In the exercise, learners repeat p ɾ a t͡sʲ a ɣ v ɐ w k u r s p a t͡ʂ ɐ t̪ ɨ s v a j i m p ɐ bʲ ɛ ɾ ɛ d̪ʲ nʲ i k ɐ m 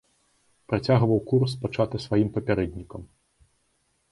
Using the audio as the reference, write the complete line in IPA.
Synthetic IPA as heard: p ɾ a t͡sʲ a ɣ v ɐ w k u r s p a t͡ʂ a t̪ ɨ s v a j i m p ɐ pʲ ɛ ɾ ɛ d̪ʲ nʲ i k ɐ m

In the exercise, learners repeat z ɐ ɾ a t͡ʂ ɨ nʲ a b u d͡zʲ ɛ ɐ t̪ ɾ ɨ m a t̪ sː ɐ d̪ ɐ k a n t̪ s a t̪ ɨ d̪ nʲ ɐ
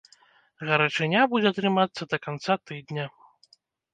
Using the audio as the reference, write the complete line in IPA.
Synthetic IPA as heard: ɣ ɐ ɾ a t͡ʂ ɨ nʲ a b u d͡zʲ ɛ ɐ t̪ ɾ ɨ m a t̪ sː ɐ d̪ ɐ k a n t̪ s a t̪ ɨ d̪ nʲ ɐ

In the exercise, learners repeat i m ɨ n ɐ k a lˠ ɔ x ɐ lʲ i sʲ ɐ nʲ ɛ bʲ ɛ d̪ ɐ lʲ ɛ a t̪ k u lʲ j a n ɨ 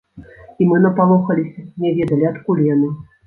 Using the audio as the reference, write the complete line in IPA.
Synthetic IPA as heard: i m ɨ n ɐ p a lˠ ɔ x ɐ lʲ i sʲ ɐ nʲ ɛ vʲ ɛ d̪ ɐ lʲ i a t̪ k u lʲ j a n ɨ

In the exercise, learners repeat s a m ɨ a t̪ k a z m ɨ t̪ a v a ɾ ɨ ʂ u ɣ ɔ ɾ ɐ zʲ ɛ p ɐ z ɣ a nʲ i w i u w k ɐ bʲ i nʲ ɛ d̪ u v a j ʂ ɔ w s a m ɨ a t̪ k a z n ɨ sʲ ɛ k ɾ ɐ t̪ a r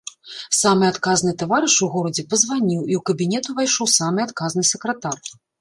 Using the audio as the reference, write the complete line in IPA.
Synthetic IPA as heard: s a m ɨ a t̪ k a z n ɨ t̪ a v a ɾ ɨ ʂ u ɣ ɔ ɾ ɐ d͡zʲ ɛ p ɐ z v a nʲ i w i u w k ɐ bʲ i nʲ ɛ t̪ u v a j ʂ ɔ w s a m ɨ a t̪ k a z n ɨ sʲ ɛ k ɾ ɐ t̪ a r

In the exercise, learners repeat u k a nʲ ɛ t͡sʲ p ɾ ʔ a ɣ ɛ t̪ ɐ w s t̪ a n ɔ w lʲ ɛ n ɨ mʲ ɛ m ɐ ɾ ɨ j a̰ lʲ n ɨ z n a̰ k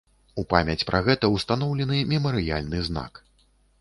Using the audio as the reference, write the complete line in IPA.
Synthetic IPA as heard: u p a mʲ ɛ t͡sʲ p ɾ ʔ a ɣ ɛ t̪ ɐ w s t̪ a n ɔ w lʲ ɛ n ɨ mʲ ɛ m ɐ ɾ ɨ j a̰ lʲ n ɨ z n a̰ k

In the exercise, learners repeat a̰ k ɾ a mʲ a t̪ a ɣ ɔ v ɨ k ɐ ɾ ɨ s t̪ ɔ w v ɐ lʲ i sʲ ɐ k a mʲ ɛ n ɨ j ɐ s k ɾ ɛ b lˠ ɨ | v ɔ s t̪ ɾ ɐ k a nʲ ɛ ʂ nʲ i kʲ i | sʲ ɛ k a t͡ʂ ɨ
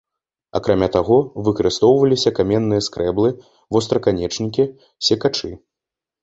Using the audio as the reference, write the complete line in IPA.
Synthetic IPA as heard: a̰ k ɾ a mʲ a t̪ a ɣ ɔ v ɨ k ɐ ɾ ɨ s t̪ ɔ w v ɐ lʲ i sʲ ɐ k a mʲ ɛ nː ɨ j ɐ s k ɾ ɛ b lˠ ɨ | v ɔ s t̪ ɾ ɐ k a nʲ ɛ t͡ʂ nʲ i kʲ i | sʲ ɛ k a t͡ʂ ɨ

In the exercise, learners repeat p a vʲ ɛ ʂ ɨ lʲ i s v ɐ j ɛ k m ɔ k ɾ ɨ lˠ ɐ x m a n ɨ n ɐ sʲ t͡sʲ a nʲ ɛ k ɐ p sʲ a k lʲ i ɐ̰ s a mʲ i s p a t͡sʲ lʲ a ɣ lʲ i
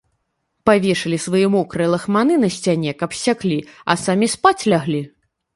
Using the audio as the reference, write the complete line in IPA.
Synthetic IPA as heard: p a vʲ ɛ ʂ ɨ lʲ i s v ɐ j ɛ m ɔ k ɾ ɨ lˠ ɐ x m a n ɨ n ɐ sʲ t͡sʲ a nʲ ɛ k ɐ p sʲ a k lʲ i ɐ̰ s a mʲ i s p a t͡sʲ lʲ a ɣ lʲ i

